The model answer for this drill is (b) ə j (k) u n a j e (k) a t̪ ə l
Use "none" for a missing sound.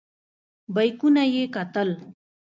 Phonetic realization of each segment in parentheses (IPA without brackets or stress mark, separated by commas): b, k, k